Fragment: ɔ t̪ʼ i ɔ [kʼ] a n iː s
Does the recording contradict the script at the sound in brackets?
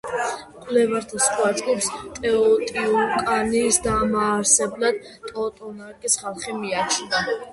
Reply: no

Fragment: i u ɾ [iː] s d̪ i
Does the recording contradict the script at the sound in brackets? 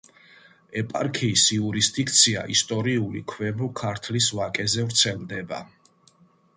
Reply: yes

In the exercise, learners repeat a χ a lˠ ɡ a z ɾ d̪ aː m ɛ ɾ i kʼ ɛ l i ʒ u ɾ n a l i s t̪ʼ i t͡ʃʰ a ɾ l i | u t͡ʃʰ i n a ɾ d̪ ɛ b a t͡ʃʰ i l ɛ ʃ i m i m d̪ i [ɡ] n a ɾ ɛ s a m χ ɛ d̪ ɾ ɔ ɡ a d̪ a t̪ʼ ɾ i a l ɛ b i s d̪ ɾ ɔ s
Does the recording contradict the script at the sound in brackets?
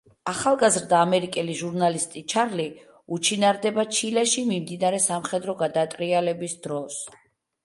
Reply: yes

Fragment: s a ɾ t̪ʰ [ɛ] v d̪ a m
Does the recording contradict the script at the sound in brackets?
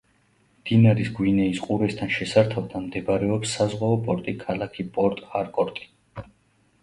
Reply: yes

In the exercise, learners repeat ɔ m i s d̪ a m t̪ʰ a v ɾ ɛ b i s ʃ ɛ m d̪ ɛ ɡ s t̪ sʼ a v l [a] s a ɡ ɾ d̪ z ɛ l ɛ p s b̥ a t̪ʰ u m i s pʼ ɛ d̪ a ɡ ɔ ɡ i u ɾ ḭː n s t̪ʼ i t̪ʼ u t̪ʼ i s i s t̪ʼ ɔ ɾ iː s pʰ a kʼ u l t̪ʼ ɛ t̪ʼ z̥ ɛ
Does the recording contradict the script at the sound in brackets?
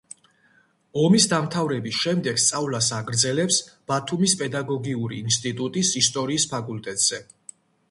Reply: no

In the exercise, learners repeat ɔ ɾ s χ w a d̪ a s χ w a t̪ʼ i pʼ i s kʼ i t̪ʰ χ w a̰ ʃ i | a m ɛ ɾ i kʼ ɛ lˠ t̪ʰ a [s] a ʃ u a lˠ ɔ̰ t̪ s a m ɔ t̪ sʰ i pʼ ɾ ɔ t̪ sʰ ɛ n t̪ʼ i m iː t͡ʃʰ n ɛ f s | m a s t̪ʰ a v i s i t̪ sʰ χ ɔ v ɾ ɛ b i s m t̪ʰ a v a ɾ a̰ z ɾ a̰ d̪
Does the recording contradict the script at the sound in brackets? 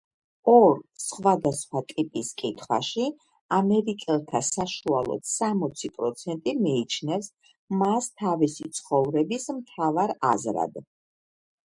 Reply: no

